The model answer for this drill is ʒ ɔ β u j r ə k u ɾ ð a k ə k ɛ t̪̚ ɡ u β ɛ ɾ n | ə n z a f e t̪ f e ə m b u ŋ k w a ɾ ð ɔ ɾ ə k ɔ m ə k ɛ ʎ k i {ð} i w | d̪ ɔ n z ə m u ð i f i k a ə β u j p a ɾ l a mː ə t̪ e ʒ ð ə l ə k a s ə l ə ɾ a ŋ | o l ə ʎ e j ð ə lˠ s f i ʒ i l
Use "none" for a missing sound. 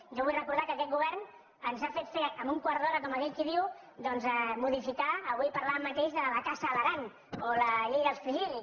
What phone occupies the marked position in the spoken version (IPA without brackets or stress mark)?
ð